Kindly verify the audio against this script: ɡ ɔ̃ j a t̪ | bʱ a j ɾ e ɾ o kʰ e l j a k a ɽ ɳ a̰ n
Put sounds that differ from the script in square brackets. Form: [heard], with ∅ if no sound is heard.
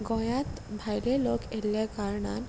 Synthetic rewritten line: ɡ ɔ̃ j a t̪ | bʱ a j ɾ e [l] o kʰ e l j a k a [ɾ] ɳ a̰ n

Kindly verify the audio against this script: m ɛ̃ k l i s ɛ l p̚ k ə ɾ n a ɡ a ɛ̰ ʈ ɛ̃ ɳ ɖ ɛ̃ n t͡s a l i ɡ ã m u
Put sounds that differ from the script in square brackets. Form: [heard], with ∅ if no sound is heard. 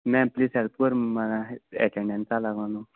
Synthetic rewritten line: m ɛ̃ [p] l i s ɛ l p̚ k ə ɾ [m] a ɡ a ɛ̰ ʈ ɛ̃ ɳ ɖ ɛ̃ n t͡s a l [a] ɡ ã [n] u

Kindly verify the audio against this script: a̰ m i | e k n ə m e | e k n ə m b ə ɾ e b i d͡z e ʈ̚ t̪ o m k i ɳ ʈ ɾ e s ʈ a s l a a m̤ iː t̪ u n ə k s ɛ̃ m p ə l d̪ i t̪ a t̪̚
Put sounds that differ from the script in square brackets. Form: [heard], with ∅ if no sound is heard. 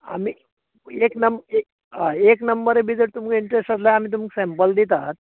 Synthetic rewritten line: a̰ m i | e k n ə m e | e k n ə m b ə ɾ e b i d͡z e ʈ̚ t̪ [u] m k i ɳ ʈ ɾ e s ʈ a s l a a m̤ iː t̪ u [m] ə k s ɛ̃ m p ə l d̪ i t̪ a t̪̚

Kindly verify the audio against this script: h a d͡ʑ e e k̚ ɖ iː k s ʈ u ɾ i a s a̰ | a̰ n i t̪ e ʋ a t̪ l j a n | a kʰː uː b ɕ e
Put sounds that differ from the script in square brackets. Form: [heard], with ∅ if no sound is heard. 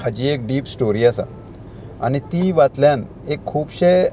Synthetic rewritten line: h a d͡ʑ [i] e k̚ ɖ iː [p] s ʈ [o] ɾ i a s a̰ | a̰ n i t̪ [i] ʋ a t̪ l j a n | [e] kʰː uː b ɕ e

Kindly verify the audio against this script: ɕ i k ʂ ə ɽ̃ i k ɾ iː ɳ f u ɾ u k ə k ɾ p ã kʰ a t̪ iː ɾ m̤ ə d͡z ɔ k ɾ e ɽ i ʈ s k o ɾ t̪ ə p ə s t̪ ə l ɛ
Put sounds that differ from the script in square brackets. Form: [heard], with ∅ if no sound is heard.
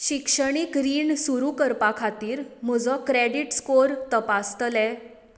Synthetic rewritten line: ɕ i k ʂ ə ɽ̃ i k ɾ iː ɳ [s] u ɾ u k ə [∅] ɾ p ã kʰ a t̪ iː ɾ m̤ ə d͡z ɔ k ɾ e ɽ i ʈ s k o ɾ t̪ ə p [a] s t̪ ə l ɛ

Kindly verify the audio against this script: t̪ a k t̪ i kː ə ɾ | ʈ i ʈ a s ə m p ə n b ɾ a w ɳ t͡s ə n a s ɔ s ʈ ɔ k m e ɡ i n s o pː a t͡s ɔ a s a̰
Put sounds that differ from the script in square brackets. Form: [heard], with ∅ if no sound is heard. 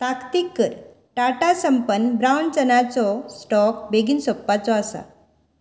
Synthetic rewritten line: t̪ a k t̪ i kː ə ɾ | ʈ [a] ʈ a s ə m p ə n b ɾ a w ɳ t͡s ə n a [t͡s] ɔ s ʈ ɔ k [b] e ɡ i n s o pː a t͡s ɔ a s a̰

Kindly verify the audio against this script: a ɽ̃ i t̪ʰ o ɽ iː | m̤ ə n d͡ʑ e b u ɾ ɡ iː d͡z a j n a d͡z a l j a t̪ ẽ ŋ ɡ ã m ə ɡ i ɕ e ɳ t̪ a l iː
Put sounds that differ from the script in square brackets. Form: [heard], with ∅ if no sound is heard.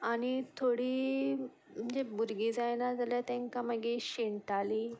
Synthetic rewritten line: a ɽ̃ i t̪ʰ o ɽ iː | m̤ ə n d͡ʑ e b u ɾ ɡ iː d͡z a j n a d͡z a l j a t̪ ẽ ŋ [k] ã m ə ɡ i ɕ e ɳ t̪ a l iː

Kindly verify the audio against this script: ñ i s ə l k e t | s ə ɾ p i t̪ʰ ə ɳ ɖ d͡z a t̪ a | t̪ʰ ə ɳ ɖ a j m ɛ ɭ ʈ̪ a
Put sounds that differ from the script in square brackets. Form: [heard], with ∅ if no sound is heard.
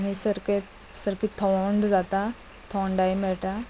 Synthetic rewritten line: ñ i s ə [ɾ] k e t | s ə ɾ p i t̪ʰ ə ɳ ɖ d͡z a t̪ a | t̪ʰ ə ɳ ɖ a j m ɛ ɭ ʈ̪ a

